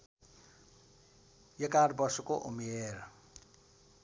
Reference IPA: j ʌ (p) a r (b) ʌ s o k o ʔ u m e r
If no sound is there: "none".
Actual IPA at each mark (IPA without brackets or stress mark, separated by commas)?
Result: k, b